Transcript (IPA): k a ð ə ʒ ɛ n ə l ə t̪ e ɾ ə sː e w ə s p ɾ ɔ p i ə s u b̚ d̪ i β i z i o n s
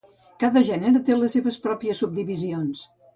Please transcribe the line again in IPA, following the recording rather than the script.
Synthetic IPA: k a ð ə ʒ ɛ n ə ɾ ə t̪ e l ə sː e β ə s p ɾ ɔ p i ə s u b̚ d̪ i β i z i o n s